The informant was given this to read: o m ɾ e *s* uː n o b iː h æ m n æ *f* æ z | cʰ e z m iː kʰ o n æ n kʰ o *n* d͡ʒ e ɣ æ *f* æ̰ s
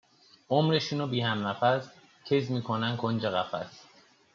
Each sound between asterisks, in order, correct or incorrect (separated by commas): incorrect, correct, correct, correct